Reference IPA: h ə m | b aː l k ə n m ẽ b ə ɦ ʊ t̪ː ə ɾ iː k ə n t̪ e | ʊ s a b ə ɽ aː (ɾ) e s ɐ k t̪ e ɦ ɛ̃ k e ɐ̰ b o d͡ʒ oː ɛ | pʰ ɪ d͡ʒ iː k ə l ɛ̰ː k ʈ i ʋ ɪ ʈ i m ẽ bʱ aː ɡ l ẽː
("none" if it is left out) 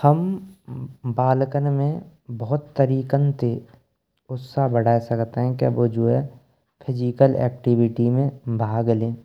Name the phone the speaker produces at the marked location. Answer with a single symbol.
none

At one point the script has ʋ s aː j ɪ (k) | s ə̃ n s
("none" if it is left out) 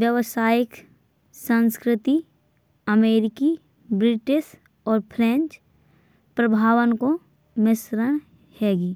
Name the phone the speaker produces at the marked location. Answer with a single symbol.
k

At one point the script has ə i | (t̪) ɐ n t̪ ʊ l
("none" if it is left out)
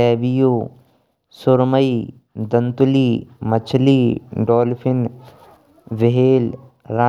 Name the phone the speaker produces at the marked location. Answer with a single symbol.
d̪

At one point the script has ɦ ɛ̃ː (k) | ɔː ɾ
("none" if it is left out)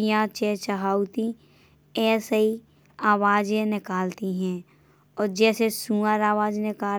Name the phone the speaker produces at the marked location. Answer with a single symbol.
none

